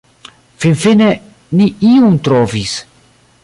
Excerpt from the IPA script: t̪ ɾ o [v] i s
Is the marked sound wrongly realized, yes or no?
no